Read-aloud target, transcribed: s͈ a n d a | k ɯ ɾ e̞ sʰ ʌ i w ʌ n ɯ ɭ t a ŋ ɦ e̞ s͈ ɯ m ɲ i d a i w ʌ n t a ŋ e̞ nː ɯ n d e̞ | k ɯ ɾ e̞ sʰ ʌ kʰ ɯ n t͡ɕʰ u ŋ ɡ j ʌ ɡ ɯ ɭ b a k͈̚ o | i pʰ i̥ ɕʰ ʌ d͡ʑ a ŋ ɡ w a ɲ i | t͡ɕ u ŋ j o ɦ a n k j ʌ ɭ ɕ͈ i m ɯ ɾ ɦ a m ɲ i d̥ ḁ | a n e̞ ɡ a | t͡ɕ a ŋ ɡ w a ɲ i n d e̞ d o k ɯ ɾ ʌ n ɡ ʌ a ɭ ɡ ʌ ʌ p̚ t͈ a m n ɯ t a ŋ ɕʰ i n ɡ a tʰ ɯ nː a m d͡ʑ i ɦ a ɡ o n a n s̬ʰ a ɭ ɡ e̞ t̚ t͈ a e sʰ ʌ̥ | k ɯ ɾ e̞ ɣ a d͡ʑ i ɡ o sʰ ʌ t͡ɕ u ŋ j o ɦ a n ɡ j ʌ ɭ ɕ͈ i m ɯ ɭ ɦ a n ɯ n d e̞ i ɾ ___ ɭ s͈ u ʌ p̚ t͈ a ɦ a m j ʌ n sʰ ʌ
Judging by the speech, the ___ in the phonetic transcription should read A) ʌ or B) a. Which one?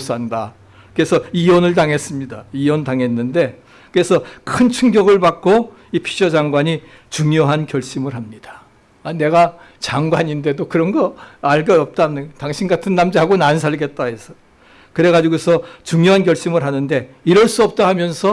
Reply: A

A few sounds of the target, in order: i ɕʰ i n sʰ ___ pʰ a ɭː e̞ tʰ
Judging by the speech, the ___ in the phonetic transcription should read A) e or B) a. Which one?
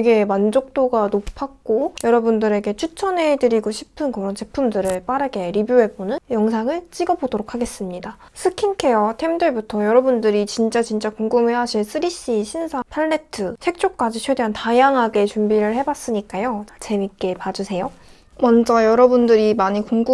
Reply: B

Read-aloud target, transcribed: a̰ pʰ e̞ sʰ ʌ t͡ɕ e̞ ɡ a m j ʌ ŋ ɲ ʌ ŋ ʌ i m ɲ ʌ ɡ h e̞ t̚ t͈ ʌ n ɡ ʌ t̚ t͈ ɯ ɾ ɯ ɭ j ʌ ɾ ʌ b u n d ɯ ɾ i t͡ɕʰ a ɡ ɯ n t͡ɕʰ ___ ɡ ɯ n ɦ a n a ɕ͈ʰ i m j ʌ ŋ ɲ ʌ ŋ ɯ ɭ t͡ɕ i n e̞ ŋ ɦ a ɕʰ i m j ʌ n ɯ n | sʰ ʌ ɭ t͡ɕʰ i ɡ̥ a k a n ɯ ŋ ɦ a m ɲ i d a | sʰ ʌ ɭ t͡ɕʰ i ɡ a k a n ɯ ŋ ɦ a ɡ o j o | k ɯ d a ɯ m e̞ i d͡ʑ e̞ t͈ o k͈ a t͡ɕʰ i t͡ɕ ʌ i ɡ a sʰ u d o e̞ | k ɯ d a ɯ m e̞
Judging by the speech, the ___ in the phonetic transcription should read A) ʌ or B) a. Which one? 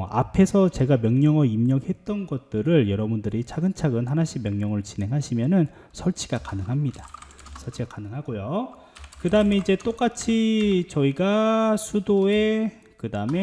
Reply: B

